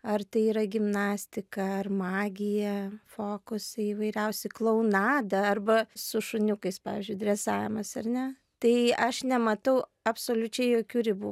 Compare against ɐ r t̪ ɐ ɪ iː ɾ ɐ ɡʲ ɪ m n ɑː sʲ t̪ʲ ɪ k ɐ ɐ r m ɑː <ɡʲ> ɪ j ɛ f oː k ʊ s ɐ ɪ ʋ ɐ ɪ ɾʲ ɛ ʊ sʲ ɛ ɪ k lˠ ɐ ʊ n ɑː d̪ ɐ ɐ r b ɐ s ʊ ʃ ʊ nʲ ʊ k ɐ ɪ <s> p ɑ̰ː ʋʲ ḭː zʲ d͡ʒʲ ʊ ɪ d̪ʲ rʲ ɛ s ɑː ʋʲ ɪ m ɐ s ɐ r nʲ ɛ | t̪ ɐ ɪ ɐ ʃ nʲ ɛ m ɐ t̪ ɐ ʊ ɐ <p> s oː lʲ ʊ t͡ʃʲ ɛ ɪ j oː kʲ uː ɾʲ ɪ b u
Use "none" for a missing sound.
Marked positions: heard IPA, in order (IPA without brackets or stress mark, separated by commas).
ɡʲ, s, p